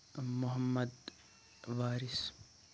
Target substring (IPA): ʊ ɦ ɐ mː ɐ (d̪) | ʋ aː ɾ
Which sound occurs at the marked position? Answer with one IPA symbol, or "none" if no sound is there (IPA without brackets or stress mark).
d̪